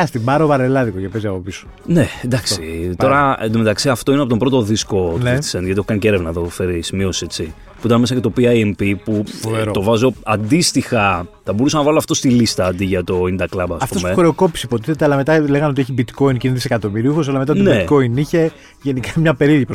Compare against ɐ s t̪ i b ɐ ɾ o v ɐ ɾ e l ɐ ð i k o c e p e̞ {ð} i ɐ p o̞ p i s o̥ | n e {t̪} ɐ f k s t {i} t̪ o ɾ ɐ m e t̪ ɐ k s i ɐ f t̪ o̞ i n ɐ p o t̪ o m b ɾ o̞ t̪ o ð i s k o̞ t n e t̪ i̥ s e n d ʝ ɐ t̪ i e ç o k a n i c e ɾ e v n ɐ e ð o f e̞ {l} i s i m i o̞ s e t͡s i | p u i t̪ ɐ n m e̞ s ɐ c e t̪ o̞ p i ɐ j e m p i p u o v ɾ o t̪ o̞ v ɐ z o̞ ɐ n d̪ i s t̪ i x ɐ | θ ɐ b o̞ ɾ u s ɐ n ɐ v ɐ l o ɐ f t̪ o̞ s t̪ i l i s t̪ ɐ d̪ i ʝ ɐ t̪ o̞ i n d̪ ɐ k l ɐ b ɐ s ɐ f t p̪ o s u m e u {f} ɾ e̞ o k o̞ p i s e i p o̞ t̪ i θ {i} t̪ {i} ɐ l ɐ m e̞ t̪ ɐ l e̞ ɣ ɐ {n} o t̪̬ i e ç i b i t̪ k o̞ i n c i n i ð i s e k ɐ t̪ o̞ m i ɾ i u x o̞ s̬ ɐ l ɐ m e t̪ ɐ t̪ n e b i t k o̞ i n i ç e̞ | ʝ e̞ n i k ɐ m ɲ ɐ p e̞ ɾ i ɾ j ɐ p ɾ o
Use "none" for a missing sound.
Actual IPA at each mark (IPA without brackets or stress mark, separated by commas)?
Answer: z, d̪, i, ɾ, x, e, e, n